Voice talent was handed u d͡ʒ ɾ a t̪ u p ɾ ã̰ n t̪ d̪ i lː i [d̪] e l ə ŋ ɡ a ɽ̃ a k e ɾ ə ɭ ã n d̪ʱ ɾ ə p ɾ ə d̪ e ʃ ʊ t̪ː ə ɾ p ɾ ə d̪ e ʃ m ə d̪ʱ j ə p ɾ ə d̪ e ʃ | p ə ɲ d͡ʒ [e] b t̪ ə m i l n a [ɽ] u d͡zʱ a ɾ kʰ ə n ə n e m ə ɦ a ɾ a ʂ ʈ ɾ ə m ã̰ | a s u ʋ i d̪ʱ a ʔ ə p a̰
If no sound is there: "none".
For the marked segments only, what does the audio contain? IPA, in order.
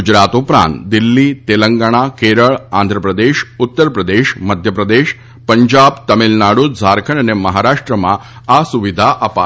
t̪, a, ɽ

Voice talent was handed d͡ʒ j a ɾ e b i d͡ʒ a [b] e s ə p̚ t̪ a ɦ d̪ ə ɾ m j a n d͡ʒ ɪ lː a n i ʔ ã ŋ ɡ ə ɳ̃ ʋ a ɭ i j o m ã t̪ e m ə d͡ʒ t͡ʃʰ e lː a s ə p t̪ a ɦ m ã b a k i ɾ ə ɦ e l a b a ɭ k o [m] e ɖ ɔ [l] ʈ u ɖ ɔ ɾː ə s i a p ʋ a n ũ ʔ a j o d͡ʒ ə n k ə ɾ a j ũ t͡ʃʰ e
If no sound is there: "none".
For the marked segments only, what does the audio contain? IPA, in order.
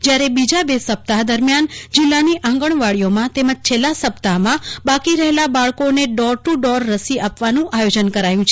b, n, ɾ

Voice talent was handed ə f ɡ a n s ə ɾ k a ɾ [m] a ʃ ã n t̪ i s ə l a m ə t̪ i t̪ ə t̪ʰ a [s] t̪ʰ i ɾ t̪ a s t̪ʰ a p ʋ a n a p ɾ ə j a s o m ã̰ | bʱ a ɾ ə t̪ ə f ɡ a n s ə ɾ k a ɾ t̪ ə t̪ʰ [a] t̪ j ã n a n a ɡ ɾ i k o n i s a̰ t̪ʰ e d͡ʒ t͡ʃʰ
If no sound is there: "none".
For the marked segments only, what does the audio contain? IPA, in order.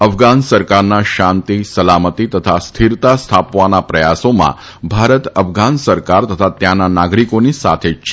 n, s, a

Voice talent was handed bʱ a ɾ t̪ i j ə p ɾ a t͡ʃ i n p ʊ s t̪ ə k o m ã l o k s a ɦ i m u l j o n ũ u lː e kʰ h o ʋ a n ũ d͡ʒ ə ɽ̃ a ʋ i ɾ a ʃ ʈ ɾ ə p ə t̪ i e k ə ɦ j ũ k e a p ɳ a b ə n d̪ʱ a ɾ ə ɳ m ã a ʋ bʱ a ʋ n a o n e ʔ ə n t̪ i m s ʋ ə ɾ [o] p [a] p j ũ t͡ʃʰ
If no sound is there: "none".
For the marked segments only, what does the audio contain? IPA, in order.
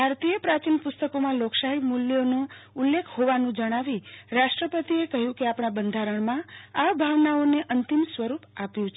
u, a

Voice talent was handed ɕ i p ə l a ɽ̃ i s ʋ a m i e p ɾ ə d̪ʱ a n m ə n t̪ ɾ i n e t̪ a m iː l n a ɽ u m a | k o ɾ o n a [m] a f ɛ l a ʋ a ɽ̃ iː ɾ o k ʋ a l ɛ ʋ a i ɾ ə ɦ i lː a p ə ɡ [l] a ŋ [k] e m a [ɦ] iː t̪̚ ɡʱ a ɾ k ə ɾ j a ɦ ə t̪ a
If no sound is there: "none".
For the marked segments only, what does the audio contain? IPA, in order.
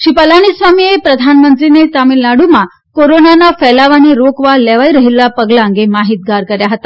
n, l, ɡ, ɦ

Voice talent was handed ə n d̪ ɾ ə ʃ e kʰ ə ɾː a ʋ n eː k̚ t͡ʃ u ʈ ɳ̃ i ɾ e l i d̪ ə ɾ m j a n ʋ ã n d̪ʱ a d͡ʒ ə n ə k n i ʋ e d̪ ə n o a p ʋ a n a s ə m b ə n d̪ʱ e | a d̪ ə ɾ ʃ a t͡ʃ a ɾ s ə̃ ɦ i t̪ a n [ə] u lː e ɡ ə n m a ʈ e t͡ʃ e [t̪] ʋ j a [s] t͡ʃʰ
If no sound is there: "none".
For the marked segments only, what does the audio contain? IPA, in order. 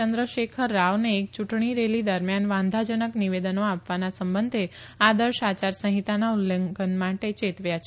a, t̪, none

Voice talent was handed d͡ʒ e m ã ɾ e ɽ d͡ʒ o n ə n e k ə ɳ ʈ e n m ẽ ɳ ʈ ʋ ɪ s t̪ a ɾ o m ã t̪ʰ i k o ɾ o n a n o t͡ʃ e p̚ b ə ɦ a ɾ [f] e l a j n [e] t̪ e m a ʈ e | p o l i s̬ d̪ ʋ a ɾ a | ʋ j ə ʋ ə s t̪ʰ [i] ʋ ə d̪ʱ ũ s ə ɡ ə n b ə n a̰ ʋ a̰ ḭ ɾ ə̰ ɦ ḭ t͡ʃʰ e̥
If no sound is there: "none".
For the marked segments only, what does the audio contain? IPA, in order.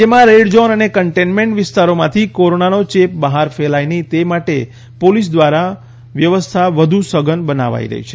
f, i, a

